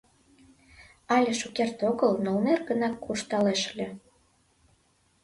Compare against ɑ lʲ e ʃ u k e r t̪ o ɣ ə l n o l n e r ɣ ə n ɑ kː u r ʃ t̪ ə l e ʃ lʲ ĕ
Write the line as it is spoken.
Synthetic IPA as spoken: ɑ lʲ e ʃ u k e r t̪ o ɣ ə l n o l n e r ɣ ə n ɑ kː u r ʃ t̪ ɑ l e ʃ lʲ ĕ

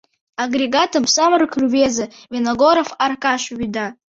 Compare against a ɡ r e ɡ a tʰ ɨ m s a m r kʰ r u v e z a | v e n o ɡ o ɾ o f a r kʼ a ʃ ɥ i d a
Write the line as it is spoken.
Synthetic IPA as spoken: a ɡ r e ɡ a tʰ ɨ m s a m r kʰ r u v e z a | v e n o ɡ o ɾ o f a r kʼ a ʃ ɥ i d a

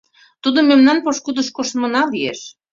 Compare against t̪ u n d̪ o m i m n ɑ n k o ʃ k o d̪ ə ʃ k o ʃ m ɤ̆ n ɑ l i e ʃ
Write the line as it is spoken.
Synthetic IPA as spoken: t̪ u d̪ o m e m n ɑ n p o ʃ k u d̪ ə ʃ k o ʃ m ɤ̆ n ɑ l i e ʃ

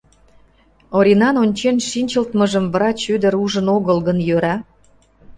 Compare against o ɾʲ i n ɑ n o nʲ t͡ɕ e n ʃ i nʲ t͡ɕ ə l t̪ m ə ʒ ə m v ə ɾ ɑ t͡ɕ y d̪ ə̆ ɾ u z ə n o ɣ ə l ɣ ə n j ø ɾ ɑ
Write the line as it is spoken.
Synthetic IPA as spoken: o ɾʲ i n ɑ n o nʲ t͡ɕ e n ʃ i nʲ t͡ɕ ə l t̪ m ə ʒ ə m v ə ɾ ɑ t͡ɕ y d̪ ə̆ ɾ u ʒ ə n o ɣ ə l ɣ ə n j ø ɾ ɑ

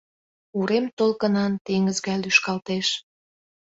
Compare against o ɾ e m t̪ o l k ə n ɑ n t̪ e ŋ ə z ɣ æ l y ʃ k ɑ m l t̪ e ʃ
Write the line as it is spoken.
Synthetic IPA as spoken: u ɾ e m t̪ o l k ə n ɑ n t̪ e ŋ ə z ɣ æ l y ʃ k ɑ l t̪ e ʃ

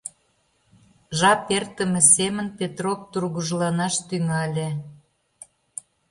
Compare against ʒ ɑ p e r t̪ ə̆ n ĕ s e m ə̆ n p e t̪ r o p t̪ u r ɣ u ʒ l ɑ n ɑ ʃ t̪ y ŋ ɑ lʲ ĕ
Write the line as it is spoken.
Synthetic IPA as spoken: ʒ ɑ p e r t̪ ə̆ m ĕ s e m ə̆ n p e t̪ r o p t̪ u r ɣ u ʒ l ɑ n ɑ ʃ t̪ y ŋ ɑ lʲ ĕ

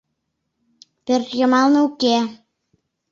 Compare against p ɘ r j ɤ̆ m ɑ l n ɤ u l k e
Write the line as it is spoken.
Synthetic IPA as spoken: p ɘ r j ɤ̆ m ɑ l n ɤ u k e

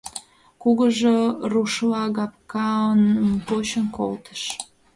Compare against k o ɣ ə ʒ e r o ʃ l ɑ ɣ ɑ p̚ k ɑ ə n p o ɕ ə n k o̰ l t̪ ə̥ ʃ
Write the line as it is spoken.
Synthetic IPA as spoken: k u ɣ ə ʒ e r u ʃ l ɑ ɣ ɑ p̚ k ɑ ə n p o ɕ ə n k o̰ l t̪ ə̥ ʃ

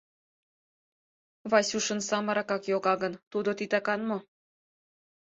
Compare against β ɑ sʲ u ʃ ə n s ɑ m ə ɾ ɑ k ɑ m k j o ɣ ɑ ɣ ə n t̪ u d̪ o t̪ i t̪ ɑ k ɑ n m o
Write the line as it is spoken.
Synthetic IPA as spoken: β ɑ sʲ u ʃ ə n s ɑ m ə ɾ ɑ k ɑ k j o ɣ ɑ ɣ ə n t̪ u d̪ o t̪ i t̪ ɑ k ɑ n m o

